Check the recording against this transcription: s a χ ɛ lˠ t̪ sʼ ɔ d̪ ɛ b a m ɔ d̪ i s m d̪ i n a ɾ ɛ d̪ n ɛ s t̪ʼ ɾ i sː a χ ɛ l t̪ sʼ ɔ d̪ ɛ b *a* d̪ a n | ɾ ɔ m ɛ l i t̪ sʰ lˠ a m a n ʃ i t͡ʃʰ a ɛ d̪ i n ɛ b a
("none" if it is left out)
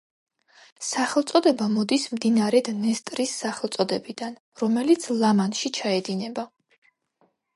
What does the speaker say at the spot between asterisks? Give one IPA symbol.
i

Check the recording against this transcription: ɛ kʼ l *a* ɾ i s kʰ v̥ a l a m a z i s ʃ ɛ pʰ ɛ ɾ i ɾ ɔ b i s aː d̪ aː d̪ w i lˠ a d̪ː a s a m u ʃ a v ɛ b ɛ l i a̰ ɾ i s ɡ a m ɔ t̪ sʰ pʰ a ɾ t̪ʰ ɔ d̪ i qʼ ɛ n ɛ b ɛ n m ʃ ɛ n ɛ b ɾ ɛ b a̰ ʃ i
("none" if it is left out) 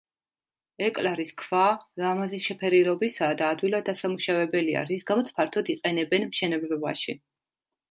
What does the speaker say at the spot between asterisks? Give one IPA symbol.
a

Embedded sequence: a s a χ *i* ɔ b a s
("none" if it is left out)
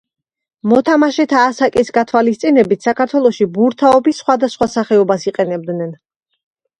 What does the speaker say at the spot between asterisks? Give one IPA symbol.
ɛ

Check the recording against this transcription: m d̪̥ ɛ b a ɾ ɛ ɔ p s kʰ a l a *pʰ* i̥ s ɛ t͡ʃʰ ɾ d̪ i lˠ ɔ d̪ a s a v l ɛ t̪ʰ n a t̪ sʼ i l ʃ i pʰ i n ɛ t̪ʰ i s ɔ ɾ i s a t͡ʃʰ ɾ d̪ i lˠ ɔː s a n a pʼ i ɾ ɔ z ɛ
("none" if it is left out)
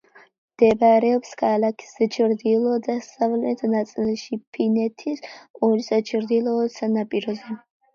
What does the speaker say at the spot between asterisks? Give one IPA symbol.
kʰ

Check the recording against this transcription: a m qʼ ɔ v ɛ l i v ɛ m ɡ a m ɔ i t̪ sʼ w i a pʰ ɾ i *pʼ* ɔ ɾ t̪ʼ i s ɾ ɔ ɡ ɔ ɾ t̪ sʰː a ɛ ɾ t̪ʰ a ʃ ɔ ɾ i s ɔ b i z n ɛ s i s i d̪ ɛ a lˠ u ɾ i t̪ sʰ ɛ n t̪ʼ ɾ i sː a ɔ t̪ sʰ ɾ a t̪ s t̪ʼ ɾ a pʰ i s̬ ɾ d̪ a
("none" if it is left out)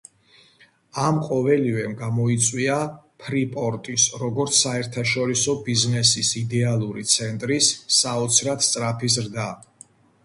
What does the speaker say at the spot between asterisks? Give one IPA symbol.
pʼ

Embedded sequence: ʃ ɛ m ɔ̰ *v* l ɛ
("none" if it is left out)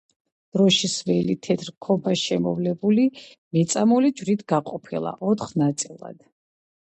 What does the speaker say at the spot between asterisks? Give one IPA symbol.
v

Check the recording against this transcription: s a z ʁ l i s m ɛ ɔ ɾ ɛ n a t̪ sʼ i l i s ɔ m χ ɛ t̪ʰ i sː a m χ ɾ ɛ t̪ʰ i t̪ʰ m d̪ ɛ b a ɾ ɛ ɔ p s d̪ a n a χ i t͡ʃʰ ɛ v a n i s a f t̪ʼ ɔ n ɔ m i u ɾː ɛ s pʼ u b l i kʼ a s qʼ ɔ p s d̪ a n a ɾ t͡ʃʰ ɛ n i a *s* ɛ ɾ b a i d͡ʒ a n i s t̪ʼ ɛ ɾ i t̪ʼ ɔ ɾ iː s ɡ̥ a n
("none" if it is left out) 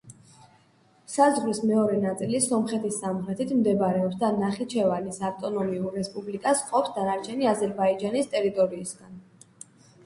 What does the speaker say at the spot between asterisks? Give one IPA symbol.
z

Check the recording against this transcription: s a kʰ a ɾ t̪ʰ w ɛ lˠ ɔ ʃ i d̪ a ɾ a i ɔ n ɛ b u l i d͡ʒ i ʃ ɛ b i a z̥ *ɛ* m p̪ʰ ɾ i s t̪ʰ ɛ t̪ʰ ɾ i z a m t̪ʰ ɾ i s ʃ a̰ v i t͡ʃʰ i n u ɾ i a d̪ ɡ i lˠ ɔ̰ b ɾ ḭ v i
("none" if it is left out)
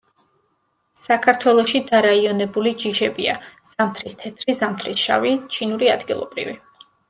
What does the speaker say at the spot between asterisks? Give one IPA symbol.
a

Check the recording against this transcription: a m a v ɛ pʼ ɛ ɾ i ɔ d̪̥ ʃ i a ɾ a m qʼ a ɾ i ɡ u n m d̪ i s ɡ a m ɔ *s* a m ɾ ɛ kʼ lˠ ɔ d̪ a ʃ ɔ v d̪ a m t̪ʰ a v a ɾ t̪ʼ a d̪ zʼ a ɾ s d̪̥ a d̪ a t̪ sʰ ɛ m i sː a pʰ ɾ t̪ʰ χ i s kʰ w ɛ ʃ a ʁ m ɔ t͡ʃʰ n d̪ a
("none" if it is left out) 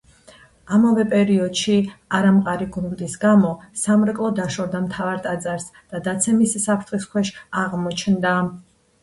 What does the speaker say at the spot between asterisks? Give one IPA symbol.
s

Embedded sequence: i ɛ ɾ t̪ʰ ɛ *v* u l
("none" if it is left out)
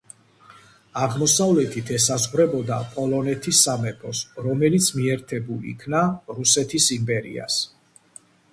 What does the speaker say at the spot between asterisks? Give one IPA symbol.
b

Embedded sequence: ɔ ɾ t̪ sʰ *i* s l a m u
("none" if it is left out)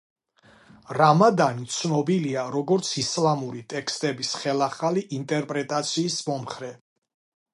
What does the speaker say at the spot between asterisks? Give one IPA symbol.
i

